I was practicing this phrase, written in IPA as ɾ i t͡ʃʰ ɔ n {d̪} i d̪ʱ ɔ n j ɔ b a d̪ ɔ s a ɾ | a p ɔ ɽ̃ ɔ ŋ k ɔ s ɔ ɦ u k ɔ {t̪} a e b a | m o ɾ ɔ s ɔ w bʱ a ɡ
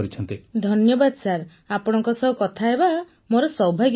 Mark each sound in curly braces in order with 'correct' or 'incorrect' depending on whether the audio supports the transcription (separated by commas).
incorrect, incorrect